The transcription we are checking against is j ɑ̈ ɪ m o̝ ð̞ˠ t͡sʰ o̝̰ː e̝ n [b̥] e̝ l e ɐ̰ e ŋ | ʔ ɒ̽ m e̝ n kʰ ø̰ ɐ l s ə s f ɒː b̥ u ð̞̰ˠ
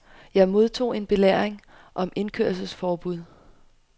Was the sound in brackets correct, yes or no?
yes